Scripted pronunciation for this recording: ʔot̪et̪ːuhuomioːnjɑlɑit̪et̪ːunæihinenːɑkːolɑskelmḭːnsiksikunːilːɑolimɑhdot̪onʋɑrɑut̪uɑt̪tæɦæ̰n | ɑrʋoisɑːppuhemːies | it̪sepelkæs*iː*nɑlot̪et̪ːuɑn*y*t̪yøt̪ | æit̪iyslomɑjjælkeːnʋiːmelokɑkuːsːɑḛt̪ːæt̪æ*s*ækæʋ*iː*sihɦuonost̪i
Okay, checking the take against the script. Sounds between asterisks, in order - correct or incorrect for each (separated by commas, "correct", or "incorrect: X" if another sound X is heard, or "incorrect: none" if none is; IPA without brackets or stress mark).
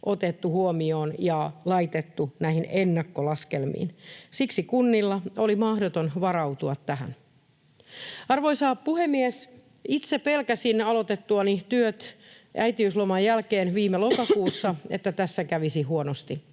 incorrect: i, incorrect: i, incorrect: sː, incorrect: i